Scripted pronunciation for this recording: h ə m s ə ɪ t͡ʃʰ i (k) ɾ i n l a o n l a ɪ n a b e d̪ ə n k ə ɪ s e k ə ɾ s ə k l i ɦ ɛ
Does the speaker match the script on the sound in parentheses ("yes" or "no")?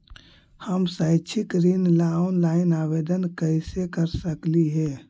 yes